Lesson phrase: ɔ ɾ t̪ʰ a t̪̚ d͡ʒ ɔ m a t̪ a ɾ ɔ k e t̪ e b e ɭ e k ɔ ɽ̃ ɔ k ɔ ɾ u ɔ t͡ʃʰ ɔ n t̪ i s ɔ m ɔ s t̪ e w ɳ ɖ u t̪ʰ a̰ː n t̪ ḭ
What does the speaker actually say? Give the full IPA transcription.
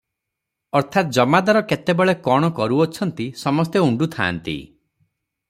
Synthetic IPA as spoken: ɔ ɾ t̪ʰ a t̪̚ d͡ʒ ɔ m a d̪ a ɾ ɔ k e t̪ e b e ɭ e k ɔ ɽ̃ ɔ k ɔ ɾ u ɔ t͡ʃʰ ɔ n t̪ i s ɔ m ɔ s t̪ e u ɳ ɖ u t̪ʰ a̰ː n t̪ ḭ